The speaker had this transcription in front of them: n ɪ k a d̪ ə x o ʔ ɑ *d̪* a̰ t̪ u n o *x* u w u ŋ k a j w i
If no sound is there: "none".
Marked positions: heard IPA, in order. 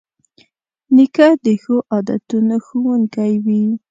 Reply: d̪, x

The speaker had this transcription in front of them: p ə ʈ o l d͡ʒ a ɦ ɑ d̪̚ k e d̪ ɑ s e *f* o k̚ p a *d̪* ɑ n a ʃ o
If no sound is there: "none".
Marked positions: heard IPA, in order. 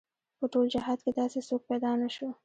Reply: s, d̪

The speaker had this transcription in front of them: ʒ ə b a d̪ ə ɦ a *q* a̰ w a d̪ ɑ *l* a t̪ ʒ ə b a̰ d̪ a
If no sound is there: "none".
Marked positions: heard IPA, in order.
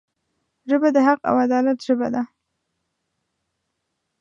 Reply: q, l

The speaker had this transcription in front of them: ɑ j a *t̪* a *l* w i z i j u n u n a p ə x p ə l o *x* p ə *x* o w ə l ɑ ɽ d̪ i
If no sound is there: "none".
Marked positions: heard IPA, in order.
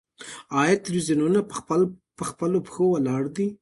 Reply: t̪, l, none, x

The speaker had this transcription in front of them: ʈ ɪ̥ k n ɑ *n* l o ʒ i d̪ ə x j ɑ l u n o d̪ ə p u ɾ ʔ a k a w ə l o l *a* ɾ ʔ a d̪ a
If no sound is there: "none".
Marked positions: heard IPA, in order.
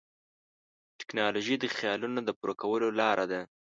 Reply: none, ɑ

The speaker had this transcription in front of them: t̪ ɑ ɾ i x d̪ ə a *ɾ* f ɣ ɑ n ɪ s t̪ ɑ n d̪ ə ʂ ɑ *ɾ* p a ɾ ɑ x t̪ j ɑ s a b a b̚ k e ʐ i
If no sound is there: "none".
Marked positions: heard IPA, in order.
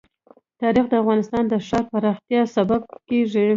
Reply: none, ɾ

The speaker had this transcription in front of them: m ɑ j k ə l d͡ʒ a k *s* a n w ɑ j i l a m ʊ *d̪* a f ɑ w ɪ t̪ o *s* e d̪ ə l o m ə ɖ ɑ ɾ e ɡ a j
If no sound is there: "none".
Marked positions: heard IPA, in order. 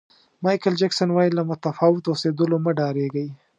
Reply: s, t̪, s

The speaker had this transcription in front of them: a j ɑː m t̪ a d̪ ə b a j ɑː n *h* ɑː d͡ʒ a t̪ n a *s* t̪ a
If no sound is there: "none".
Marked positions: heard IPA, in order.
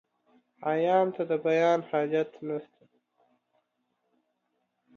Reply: h, s

